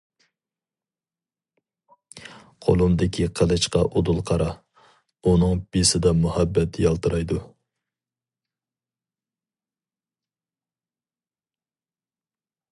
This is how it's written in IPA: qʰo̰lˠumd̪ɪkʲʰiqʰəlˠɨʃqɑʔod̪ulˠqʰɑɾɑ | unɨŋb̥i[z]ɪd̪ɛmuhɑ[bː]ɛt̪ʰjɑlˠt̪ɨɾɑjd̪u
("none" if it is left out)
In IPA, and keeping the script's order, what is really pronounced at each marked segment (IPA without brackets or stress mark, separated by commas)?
s, bː